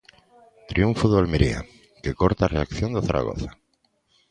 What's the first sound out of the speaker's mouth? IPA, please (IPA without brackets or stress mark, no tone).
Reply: t̪